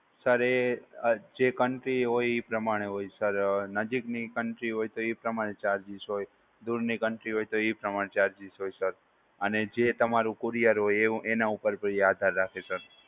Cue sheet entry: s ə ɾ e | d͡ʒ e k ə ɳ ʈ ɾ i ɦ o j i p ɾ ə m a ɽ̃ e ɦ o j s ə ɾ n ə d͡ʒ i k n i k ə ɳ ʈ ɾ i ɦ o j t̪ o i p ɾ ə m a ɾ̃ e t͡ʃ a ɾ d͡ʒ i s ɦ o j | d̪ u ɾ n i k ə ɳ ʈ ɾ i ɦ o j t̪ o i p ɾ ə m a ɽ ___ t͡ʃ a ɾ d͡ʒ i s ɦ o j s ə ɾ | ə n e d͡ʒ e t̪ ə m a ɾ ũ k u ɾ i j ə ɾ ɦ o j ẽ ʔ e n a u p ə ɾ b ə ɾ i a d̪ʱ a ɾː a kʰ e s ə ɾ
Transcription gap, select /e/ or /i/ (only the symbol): e